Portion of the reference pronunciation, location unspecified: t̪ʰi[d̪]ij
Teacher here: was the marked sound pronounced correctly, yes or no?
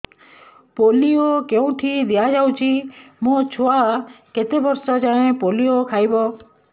yes